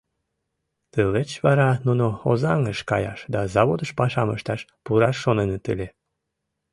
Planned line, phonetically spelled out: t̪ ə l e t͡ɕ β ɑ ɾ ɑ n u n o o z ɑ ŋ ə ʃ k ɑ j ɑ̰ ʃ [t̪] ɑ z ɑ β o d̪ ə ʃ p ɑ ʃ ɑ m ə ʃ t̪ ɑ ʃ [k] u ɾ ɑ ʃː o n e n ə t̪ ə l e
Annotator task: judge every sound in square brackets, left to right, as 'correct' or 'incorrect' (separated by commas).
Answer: incorrect, incorrect